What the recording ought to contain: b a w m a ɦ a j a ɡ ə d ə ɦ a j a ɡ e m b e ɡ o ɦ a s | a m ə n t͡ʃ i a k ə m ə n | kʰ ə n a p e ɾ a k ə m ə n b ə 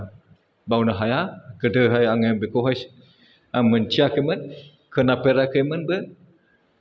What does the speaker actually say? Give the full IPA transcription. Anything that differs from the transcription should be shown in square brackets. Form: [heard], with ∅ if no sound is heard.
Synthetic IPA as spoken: b a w [n] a ɦ a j a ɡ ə d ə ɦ a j a [ŋ] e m b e [k] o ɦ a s | a m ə n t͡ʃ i a k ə m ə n | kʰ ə n a p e ɾ a k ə m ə n b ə